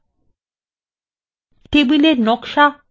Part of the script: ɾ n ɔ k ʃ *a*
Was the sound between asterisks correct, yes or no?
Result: yes